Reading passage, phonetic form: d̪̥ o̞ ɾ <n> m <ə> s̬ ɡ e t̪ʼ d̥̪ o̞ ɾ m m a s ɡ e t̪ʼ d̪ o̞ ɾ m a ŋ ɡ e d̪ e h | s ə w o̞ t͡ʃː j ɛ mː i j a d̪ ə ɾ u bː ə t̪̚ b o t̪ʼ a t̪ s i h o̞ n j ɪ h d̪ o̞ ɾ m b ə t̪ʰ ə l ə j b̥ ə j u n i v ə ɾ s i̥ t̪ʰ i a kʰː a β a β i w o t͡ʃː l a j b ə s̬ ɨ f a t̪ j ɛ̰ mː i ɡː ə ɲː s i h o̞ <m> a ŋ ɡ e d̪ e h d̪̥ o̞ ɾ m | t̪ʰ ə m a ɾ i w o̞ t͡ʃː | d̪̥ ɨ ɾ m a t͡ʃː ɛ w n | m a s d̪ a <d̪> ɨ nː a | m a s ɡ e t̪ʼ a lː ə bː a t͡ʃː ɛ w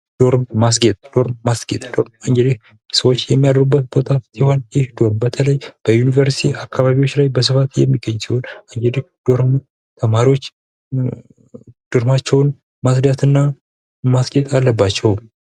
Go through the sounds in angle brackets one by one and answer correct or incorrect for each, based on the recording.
incorrect, incorrect, incorrect, incorrect

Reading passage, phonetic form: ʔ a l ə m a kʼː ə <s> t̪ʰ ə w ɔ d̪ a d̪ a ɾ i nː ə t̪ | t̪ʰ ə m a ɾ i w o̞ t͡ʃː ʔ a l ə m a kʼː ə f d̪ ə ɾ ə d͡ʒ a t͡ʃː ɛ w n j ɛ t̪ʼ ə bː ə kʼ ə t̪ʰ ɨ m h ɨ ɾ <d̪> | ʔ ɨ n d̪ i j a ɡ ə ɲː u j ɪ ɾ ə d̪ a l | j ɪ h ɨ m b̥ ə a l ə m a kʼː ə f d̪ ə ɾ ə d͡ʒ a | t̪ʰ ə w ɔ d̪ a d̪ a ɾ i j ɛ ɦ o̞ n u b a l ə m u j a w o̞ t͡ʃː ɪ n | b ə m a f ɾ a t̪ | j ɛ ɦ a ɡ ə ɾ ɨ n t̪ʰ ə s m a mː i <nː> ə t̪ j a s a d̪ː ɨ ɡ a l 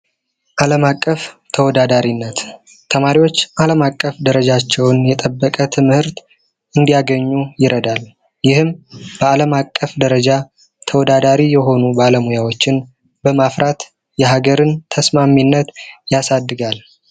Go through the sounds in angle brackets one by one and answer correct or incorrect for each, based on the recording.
incorrect, incorrect, correct

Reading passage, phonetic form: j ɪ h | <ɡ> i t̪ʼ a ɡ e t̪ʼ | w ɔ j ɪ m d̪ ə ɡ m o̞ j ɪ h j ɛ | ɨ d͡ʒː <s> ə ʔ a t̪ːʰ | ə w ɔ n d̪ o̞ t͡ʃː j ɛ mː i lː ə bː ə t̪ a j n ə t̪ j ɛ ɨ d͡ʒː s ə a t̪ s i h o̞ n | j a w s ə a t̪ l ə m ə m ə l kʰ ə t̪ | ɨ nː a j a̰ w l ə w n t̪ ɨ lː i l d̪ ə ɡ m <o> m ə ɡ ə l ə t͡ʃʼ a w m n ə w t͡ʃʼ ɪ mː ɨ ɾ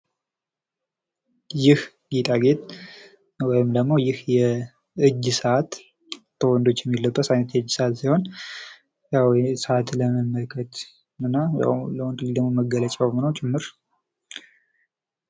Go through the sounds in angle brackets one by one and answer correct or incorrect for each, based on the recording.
correct, correct, correct

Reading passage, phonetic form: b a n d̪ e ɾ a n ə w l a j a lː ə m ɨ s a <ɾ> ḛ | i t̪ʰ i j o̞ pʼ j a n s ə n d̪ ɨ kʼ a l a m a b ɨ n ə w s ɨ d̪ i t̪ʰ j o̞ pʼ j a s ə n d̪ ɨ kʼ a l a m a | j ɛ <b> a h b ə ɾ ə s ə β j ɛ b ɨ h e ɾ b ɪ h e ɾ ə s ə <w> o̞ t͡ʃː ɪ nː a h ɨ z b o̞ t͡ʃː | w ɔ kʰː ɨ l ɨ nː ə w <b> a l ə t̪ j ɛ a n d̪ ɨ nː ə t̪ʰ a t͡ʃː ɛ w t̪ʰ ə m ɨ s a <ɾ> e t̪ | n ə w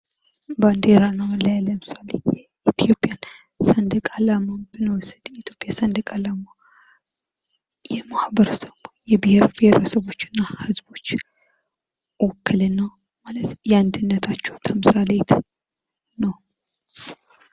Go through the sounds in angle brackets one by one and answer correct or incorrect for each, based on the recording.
incorrect, incorrect, incorrect, incorrect, incorrect

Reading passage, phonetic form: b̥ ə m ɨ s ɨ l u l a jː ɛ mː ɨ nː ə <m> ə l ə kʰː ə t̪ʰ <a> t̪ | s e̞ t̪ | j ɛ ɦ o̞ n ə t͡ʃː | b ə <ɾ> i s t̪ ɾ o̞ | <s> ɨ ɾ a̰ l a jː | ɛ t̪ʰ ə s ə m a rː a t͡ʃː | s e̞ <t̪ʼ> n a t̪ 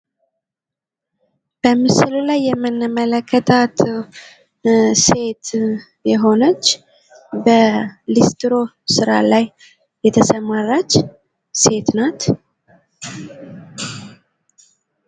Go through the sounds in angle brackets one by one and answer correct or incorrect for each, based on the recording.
correct, correct, incorrect, correct, incorrect

